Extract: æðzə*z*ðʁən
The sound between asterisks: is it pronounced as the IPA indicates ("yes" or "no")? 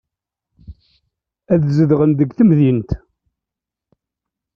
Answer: no